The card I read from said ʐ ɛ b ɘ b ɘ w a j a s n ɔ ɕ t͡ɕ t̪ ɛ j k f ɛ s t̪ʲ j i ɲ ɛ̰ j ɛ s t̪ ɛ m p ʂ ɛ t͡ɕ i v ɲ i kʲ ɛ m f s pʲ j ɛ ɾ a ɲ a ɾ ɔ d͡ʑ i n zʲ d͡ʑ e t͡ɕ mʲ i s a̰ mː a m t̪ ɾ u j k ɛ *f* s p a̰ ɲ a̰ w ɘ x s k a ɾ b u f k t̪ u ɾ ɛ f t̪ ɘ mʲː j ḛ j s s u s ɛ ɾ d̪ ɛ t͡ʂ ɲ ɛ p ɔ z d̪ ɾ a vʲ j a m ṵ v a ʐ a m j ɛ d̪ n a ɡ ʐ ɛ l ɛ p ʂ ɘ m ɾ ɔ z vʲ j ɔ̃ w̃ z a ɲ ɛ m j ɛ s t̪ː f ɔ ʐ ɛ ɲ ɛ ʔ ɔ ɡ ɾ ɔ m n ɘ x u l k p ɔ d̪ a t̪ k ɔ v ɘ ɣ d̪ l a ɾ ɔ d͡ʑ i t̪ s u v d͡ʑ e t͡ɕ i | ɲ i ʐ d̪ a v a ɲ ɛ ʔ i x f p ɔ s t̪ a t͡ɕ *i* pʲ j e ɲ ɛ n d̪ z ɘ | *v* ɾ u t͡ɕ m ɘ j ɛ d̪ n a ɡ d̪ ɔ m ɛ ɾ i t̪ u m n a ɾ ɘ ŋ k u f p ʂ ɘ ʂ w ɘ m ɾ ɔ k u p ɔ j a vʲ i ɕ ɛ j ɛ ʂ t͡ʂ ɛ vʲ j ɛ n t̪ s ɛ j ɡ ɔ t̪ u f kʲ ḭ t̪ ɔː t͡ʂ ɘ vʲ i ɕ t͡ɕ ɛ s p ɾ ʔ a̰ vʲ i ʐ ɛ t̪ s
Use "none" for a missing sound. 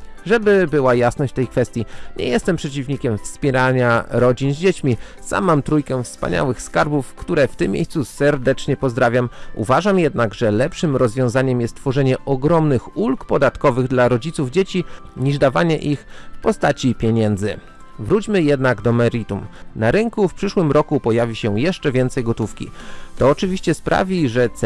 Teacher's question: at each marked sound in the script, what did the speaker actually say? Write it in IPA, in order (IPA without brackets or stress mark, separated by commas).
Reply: f, i, v